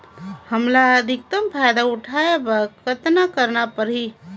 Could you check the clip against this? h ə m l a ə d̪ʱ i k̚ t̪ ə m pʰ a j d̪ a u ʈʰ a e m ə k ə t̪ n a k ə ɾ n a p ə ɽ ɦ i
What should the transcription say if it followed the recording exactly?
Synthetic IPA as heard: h ə m l a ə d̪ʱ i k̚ t̪ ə m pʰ a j d̪ a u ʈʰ a e b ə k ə t̪ n a k ə ɾ n a p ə ɾ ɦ i